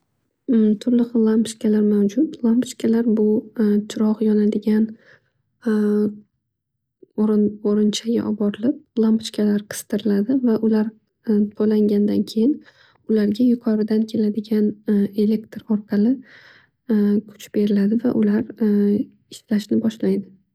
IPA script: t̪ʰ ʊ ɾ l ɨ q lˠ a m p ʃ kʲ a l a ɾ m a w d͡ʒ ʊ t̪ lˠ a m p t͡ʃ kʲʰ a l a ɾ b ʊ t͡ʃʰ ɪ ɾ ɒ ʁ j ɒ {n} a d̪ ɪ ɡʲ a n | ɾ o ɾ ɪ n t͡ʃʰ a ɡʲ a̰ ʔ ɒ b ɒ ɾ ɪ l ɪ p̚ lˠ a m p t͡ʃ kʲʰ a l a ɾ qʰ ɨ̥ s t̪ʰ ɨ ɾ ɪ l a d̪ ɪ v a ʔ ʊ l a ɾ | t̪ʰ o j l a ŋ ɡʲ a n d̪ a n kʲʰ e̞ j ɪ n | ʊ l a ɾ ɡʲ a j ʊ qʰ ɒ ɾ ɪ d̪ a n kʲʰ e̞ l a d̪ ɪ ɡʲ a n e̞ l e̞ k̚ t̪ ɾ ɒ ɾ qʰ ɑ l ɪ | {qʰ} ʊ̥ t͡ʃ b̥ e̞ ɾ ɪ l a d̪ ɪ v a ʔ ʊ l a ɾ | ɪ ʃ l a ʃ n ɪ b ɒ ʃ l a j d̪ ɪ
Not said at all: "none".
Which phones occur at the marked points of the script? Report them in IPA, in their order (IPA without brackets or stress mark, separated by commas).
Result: n, kʰ